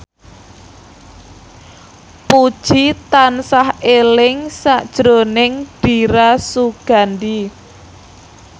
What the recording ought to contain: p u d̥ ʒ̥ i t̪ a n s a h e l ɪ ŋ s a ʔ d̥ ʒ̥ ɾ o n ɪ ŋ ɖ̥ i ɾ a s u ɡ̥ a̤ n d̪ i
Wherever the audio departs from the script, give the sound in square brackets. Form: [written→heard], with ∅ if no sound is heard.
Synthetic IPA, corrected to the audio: p u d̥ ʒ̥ i t̪ a n s a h e l ɪ ŋ s a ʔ d̥ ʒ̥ ɾ o n ɪ ŋ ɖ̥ i ɾ a s u ɡ̥ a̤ n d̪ i